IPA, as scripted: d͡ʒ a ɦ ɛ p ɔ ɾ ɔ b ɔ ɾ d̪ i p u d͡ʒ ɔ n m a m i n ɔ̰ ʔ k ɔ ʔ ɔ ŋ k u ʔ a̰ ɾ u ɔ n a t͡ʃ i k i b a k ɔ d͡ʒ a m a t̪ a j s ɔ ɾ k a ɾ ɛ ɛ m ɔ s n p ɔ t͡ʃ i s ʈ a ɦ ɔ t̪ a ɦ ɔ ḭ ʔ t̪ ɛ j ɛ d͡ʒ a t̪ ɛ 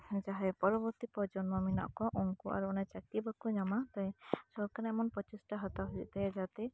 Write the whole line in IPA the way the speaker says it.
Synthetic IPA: d͡ʒ a ɦ ɛ p ɔ ɾ ɔ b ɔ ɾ t̪ i p ɔ d͡ʒ ɔ n m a m i n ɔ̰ ʔ k ɔ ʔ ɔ ŋ k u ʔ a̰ ɾ u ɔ n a t͡ʃ a k i b a k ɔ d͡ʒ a m a t̪ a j s ɔ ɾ k a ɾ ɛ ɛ m ɔ n p ɔ t͡ʃ i s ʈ a ɦ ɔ t̪ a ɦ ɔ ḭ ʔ t̪ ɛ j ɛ d͡ʒ a t̪ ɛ

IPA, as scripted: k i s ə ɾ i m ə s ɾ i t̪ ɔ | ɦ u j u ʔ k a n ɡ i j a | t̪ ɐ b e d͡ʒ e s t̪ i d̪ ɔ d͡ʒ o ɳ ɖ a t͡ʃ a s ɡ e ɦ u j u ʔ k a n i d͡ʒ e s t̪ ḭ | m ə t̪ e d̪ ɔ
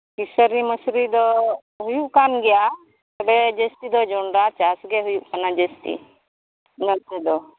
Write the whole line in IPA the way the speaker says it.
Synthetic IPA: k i s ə ɾ i m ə s ɾ i d̪ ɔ | ɦ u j u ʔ k a n ɡ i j a | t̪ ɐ b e d͡ʒ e s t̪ i d̪ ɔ d͡ʒ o ɳ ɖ a t͡ʃ a s ɡ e ɦ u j u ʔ k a n a d͡ʒ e s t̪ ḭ | n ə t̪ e d̪ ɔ

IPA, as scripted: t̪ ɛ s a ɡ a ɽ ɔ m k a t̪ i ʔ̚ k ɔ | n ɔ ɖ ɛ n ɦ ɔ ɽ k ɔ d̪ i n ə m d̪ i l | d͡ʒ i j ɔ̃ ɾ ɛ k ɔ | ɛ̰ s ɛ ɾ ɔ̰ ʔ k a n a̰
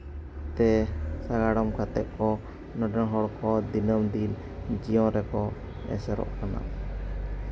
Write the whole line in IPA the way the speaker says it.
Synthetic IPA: t̪ ɛ s a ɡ a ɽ ɔ m k a t̪ ɛ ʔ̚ k ɔ | n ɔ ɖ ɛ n ɦ ɔ ɽ k ɔ d̪ i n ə m d̪ i l | d͡ʒ i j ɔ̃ ɾ ɛ k ɔ | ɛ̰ s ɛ ɾ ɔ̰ ʔ k a n a̰

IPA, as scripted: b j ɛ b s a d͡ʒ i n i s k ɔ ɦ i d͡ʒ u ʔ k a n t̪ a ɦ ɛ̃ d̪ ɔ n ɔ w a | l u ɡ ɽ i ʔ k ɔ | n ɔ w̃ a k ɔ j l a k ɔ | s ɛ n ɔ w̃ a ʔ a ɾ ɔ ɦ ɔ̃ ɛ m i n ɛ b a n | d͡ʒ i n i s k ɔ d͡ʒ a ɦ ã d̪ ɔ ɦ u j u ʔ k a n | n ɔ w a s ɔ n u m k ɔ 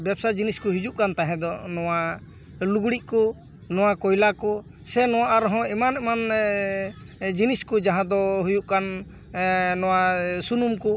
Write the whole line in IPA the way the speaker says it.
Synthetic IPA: b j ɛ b s a d͡ʒ i n i s k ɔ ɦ i d͡ʒ u ʔ k a n t̪ a ɦ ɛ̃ d̪ ɔ n ɔ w a | l u ɡ ɽ i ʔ k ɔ | n ɔ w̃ a k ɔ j l a k ɔ | s ɛ n ɔ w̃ a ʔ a ɾ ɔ ɦ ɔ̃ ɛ m a n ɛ m a n | d͡ʒ i n i s k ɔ d͡ʒ a ɦ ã d̪ ɔ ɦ u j u ʔ k a n | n ɔ w a s u n u m k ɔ

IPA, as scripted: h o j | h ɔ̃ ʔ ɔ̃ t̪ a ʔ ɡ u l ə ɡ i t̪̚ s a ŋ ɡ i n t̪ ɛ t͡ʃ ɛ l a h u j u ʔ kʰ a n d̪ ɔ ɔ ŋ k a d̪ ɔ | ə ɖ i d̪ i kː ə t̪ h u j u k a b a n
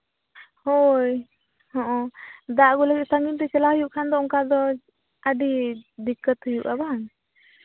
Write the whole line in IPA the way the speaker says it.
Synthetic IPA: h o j | h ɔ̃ ʔ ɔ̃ d̪ a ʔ ɡ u l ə ɡ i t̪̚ s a ŋ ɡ i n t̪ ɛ t͡ʃ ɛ l a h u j u ʔ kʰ a n d̪ ɔ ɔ ŋ k a d̪ ɔ | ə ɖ i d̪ i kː ə t̪ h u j u ʔ a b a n

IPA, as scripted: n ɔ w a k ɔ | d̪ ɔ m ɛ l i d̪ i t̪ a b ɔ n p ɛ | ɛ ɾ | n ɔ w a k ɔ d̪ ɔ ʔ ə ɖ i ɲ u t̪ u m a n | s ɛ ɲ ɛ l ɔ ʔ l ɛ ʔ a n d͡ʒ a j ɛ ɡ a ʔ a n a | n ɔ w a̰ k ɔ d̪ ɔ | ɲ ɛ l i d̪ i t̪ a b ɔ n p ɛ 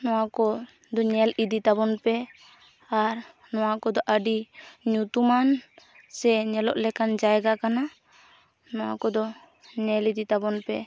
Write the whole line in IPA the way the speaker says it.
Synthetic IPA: n ɔ w a k ɔ | d̪ ɔ ɲ ɛ l i d̪ i t̪ a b ɔ n p ɛ | a ɾ | n ɔ w a k ɔ d̪ ɔ ʔ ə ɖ i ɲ u t̪ u m a n | s ɛ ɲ ɛ l ɔ ʔ l ɛ k a n d͡ʒ a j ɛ ɡ a k a n a | n ɔ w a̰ k ɔ d̪ ɔ | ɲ ɛ l i d̪ i t̪ a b ɔ n p ɛ

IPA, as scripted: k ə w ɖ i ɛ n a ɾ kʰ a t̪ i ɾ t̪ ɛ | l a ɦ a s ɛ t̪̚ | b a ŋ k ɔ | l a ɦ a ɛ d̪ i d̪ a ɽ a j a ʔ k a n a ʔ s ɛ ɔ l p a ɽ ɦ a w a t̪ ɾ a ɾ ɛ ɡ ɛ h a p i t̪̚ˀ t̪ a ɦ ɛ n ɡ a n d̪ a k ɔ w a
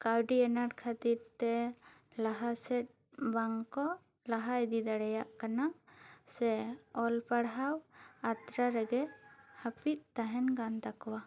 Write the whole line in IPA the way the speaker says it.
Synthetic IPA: k a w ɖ i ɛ n a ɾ kʰ a t̪ i ɾ t̪ ɛ | l a ɦ a s ɛ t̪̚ | b a ŋ k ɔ | l a ɦ a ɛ d̪ i d̪ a ɽ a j a ʔ k a n a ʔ s ɛ ɔ l p a ɽ ɦ a w a t̪ ɾ a ɾ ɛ ɡ ɛ h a p i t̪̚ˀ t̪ a ɦ ɛ n ɡ a n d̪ a k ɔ w a

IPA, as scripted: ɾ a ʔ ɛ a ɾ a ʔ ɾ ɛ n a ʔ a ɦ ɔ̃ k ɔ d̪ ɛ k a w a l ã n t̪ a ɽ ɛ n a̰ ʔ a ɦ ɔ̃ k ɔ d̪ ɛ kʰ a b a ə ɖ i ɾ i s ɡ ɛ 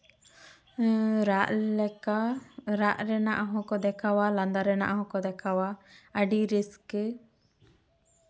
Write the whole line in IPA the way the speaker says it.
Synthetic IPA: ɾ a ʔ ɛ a ɾ a ʔ ɾ ɛ n a ʔ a ɦ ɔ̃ k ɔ d̪ ɛ k a w a l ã n d̪ a ɾ ɛ n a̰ ʔ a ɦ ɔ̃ k ɔ d̪ ɛ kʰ a w a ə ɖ i ɾ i s k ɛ

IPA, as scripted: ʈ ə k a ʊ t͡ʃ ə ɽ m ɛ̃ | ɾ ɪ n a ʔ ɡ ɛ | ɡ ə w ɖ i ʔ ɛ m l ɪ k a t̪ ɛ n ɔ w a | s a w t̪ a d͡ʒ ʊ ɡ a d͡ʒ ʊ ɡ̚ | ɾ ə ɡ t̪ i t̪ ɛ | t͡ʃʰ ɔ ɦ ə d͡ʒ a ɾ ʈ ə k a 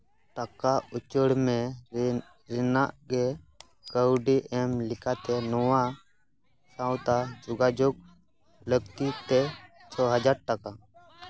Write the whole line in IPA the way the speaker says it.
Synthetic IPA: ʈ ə k a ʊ t͡ʃ ə ɽ m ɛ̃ | ɾ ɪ n a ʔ ɡ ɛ | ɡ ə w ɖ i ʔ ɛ m l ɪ k a t̪ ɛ n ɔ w a | s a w t̪ a d͡ʒ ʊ ɡ a d͡ʒ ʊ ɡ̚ | l ə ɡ t̪ i t̪ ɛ | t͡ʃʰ ɔ ɦ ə d͡ʒ a ɾ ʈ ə k a

